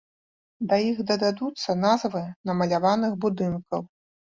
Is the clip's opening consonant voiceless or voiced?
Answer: voiced